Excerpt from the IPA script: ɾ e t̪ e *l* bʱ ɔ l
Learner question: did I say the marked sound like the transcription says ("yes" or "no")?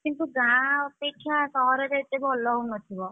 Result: no